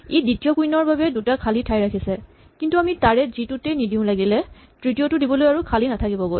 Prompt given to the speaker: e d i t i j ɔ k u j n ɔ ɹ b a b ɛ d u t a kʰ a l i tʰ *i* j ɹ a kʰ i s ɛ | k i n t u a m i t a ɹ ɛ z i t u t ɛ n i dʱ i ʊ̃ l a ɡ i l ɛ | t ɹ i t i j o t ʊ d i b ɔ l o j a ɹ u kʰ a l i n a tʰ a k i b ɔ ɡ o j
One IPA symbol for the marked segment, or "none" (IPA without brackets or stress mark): a